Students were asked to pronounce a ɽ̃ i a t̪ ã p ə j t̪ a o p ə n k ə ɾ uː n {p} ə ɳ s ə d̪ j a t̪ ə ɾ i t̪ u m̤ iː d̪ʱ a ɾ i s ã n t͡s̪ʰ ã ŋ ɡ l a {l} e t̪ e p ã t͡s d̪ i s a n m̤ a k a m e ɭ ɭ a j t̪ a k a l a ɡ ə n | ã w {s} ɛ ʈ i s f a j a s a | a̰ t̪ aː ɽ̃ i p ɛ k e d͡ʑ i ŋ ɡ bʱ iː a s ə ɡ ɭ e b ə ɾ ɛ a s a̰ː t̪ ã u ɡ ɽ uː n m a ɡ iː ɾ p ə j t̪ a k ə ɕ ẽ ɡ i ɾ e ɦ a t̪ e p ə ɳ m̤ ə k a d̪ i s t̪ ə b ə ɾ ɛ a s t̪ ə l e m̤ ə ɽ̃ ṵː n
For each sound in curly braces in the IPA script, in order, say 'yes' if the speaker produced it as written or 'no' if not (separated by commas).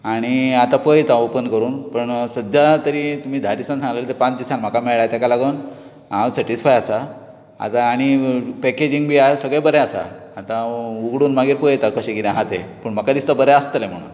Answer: yes, yes, yes